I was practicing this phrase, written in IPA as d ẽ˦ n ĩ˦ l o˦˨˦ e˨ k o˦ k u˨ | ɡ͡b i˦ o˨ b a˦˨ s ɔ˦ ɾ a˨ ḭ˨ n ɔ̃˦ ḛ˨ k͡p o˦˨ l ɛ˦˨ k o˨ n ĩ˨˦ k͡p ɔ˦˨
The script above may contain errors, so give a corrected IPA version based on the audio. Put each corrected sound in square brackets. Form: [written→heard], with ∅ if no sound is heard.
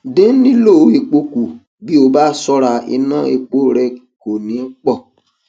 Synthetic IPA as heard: d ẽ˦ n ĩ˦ l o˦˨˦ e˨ [k→k͡p] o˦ k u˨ | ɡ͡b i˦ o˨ b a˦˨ s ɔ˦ ɾ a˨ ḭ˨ n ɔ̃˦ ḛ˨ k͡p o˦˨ [l→ɾ] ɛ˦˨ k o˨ n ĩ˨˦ k͡p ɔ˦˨